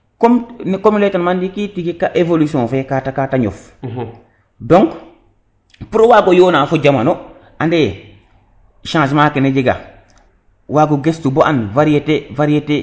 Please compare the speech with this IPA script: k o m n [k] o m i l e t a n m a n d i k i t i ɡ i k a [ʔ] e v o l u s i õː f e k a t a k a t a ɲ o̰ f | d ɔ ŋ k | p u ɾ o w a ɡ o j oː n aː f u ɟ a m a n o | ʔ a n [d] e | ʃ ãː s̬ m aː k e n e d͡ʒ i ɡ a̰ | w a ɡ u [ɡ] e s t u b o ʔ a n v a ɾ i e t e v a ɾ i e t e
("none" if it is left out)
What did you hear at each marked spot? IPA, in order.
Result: k, ʔ, d, ɡ

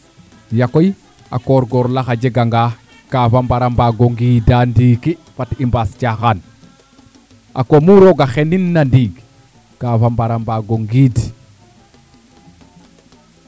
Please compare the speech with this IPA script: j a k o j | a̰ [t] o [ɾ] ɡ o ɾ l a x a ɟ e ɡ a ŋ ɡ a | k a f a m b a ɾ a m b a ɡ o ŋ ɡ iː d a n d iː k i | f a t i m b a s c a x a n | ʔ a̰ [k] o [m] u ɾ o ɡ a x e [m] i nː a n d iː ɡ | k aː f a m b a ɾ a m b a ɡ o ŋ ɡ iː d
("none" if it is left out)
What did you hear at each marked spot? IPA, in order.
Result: k, ɾ, k, m, n

